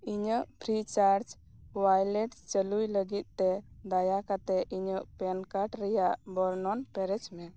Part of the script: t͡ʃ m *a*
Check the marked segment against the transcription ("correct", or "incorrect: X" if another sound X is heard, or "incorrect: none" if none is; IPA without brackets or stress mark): incorrect: ɛ